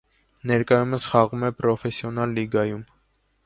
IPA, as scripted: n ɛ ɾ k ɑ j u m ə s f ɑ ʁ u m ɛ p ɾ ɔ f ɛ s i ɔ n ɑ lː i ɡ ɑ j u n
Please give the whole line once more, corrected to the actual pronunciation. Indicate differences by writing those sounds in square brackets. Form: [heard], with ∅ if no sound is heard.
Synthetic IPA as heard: n ɛ ɾ k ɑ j u m ə s [χ] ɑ ʁ u m ɛ p ɾ ɔ f ɛ s [j] ɔ n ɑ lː i ɡ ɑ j u [m]